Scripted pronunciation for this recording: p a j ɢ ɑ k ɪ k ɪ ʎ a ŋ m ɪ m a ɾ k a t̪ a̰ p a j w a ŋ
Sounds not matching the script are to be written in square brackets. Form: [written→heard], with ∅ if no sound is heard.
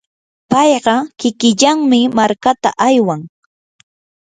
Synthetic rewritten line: p [a→ɑ] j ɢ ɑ k ɪ k ɪ ʎ a ŋ m ɪ m a ɾ k a t̪ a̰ [p→ʔ] a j w a ŋ